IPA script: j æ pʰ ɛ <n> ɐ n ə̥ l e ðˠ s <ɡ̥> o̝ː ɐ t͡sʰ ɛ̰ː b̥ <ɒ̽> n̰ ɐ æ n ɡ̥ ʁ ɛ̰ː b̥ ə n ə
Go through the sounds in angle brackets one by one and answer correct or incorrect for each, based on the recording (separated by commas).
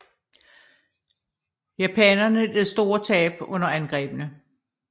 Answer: correct, incorrect, incorrect